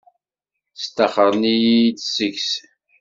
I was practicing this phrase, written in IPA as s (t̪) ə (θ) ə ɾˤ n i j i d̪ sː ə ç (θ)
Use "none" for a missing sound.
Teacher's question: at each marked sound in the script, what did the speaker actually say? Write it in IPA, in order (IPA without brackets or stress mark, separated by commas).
t̪, χ, s